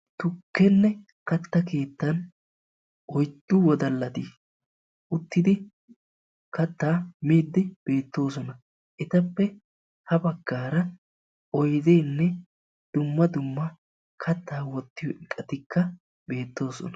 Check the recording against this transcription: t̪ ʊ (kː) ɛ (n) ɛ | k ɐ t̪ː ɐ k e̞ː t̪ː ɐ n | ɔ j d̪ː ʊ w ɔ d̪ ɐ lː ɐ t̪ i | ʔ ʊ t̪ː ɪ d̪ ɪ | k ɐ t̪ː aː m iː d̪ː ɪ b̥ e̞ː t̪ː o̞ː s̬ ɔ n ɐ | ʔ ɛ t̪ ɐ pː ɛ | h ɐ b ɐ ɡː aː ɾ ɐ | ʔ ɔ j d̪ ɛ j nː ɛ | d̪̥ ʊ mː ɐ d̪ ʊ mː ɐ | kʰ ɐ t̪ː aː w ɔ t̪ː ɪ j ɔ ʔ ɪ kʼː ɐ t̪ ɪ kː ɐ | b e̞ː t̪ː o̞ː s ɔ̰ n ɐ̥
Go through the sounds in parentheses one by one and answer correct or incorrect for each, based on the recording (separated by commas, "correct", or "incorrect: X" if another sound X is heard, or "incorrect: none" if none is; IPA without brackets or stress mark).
correct, incorrect: nː